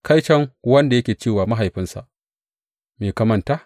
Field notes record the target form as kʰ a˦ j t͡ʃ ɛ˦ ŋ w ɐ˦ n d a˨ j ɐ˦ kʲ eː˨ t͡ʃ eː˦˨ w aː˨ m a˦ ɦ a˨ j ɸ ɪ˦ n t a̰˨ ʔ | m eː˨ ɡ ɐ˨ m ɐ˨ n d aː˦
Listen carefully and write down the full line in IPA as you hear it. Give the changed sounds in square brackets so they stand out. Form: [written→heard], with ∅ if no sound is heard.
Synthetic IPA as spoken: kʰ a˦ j t͡ʃ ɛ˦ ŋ w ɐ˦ n d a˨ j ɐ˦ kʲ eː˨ t͡ʃ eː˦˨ w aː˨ m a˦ ɦ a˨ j ɸ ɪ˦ n [t→s] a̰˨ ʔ | m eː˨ [ɡ→k] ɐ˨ m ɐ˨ n [d→t] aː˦